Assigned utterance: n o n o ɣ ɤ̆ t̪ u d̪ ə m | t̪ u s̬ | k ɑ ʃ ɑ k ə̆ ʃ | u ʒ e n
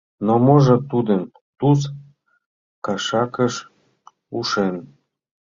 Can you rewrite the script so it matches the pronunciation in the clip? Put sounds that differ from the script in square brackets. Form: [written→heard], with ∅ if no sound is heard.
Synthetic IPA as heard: n o [n→m] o [ɣ→ʒ] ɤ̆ t̪ u d̪ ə m | t̪ u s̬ | k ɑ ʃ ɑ k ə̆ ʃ | u [ʒ→ʃ] e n